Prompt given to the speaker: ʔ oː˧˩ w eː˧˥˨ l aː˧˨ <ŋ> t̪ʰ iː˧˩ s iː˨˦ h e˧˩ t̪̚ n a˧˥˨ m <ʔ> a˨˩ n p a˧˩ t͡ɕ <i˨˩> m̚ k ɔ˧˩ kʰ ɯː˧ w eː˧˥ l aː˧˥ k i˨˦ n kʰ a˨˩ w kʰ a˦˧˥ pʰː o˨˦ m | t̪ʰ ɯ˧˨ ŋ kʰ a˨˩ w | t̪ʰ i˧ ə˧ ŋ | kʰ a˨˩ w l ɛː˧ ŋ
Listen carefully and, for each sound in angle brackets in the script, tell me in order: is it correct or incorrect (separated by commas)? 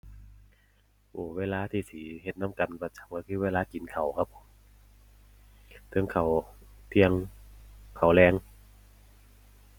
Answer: incorrect, incorrect, incorrect